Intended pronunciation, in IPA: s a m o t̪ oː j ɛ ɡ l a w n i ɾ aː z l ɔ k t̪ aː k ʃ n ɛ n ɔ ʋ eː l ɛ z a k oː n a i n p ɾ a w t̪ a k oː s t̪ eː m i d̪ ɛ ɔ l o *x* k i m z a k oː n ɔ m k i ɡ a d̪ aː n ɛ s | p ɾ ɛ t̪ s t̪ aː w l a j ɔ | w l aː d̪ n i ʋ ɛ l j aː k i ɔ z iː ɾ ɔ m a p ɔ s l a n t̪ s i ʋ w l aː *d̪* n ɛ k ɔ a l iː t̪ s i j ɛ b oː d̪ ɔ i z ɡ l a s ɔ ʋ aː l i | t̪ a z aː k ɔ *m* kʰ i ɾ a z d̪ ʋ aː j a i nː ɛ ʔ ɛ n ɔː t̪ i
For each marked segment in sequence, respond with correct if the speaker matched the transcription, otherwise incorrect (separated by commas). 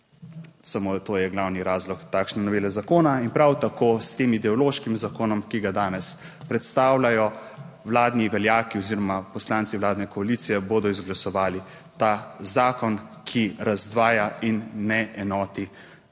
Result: incorrect, correct, incorrect